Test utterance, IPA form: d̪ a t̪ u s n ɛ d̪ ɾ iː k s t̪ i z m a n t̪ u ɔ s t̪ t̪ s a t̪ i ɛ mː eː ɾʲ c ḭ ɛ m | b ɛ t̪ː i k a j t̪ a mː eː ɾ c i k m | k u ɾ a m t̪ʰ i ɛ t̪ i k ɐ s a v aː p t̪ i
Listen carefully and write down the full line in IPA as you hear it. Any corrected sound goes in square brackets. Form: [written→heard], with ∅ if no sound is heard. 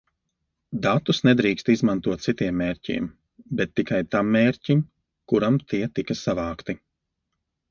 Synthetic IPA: d̪ a t̪ u s n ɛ d̪ ɾ iː k s t̪ i z m a n t̪ u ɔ [s→∅] t̪ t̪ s [a→i] t̪ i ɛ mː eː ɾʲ c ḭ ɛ m | b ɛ t̪ː i k a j t̪ a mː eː ɾ c i [k→∅] m | k u ɾ a m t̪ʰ i ɛ t̪ i k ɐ s a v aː [p→k] t̪ i